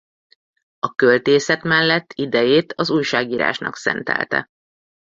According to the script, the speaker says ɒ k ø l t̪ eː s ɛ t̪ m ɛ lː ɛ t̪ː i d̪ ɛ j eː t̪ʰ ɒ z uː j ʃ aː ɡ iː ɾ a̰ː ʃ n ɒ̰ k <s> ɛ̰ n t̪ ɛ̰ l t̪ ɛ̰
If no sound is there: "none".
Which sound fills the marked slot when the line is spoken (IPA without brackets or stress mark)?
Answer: s